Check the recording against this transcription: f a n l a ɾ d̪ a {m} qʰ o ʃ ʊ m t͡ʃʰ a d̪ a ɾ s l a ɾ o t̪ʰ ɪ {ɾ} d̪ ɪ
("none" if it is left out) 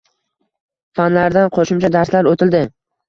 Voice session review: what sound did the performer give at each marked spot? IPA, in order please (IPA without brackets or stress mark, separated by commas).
n, l